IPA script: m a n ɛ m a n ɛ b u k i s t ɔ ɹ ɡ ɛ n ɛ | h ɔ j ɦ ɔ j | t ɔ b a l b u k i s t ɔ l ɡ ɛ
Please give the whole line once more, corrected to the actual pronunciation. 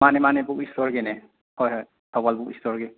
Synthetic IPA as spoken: m a n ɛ m a n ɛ b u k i s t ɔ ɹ ɡ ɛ n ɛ | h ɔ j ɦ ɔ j | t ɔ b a l b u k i s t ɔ ɹ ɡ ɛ